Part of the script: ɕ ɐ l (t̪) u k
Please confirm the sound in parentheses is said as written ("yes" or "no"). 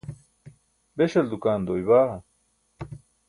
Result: no